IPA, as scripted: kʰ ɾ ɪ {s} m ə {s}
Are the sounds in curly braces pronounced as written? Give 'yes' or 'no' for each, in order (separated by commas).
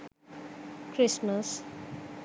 yes, yes